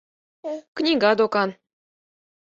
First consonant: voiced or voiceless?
voiceless